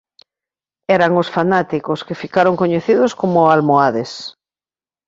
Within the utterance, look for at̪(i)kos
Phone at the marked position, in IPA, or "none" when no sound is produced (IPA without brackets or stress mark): i